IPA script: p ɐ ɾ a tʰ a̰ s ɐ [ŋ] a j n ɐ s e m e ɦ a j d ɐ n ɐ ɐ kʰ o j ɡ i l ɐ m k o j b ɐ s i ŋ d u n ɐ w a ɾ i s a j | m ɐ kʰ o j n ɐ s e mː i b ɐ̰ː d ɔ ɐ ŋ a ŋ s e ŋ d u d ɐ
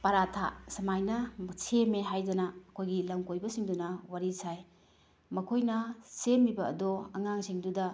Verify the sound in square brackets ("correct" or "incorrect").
incorrect